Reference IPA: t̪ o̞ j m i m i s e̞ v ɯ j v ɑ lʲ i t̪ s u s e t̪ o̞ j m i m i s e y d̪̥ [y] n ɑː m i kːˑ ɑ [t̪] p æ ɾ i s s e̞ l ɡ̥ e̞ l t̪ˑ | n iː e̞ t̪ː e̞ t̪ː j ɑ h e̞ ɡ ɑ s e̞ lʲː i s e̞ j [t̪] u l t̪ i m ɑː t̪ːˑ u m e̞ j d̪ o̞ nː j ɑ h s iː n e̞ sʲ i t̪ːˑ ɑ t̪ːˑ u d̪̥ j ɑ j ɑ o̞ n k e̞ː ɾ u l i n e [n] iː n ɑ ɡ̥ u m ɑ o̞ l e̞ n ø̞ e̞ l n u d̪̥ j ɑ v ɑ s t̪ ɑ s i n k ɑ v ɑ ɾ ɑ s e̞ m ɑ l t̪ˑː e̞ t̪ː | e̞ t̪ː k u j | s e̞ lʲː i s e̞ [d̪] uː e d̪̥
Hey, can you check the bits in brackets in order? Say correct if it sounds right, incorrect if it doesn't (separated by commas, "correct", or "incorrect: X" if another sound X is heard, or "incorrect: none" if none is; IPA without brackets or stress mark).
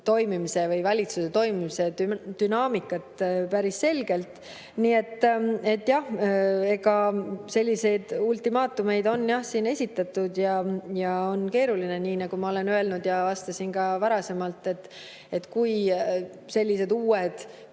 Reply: correct, correct, incorrect: d̪, correct, correct